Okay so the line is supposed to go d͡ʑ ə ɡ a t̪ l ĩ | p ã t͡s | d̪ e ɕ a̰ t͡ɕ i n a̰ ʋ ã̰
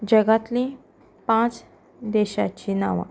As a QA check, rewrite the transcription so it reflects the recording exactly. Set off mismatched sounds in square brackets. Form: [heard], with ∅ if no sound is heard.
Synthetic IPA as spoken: d͡ʑ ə ɡ a t̪ l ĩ | p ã t͡s | d̪ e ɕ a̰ t͡ɕ i n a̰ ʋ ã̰